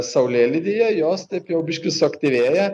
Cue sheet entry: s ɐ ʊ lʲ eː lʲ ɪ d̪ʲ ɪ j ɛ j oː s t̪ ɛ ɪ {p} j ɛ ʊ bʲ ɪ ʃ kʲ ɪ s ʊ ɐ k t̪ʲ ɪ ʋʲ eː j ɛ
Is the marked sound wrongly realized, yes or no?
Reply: no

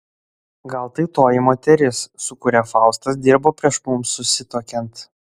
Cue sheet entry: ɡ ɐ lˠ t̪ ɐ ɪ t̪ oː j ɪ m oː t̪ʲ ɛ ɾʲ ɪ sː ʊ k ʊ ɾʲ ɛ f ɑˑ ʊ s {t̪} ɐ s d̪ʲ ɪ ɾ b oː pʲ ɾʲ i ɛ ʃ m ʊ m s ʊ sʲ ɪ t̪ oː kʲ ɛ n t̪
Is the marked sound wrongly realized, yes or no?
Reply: no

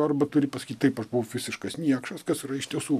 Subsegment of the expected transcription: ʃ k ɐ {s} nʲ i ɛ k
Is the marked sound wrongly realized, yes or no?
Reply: no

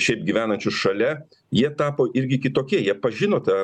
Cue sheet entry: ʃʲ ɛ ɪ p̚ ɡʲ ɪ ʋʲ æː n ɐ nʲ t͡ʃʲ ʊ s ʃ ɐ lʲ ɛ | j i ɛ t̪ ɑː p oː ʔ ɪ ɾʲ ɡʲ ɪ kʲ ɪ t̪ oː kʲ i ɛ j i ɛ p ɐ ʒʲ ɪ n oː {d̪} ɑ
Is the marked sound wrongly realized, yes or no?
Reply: yes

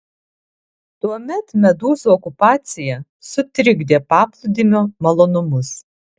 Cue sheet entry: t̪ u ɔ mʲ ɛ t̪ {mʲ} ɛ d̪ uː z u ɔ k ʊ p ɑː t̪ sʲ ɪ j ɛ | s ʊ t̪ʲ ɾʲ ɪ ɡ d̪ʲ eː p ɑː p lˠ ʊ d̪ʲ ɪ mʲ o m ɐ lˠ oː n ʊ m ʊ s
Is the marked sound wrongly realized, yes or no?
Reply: no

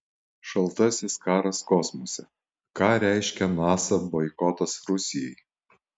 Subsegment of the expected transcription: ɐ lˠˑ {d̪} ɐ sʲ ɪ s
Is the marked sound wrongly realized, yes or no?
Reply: yes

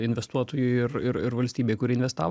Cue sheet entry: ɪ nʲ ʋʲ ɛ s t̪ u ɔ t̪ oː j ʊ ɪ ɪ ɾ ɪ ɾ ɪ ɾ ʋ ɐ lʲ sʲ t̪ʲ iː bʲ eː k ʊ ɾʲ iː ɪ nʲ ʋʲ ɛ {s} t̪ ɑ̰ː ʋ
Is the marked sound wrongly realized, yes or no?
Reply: no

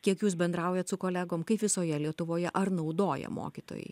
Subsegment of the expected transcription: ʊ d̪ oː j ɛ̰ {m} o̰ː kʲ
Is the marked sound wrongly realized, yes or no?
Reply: no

